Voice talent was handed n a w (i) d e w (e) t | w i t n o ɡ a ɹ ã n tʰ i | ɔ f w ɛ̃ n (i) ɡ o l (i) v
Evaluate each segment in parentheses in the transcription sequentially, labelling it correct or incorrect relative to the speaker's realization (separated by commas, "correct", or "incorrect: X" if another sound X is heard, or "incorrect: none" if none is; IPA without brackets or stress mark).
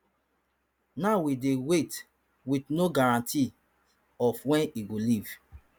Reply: correct, correct, correct, correct